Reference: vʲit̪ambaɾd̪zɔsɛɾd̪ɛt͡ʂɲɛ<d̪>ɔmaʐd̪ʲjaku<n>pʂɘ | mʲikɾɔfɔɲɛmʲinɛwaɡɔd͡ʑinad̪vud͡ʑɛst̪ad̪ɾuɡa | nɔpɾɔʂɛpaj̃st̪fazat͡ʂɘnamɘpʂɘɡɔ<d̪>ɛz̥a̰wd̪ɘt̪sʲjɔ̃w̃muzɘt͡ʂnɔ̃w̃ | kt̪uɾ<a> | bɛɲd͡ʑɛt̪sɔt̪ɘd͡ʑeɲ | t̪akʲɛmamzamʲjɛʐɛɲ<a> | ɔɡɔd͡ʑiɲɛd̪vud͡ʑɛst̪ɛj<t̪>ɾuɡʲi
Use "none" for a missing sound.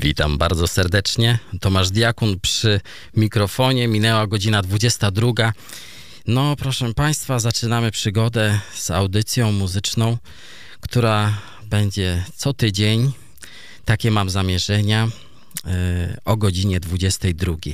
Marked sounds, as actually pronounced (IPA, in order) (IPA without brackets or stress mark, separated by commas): t̪, n, d̪, a, a, d̪